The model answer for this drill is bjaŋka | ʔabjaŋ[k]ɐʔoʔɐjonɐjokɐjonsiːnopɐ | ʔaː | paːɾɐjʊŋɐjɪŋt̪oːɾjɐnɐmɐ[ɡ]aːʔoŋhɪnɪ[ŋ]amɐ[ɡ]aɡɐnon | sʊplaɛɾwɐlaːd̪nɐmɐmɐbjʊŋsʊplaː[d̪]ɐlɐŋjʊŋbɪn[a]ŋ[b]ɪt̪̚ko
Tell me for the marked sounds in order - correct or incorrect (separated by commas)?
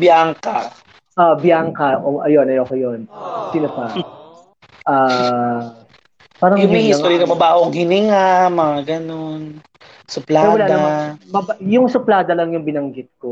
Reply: correct, incorrect, correct, incorrect, correct, incorrect, incorrect